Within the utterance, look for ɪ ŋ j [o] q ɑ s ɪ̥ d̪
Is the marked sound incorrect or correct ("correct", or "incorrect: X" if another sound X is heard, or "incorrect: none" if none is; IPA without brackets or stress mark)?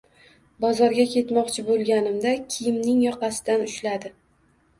incorrect: ɒ